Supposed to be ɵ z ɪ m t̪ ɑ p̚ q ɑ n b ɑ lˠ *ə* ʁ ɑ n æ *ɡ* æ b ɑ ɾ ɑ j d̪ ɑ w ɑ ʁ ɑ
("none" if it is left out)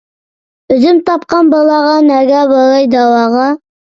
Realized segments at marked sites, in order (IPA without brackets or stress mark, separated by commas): ɑ, ɡ